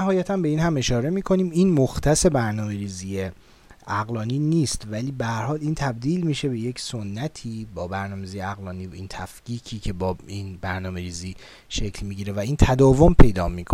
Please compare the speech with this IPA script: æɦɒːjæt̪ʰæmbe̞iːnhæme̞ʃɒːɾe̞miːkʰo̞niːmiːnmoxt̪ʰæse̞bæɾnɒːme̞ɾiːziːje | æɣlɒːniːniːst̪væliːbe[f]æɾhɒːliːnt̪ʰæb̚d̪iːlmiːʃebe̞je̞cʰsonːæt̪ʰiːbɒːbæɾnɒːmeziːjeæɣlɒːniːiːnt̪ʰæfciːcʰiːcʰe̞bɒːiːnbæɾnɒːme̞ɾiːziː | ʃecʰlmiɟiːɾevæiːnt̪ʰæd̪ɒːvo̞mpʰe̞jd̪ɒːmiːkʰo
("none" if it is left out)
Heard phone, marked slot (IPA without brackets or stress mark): h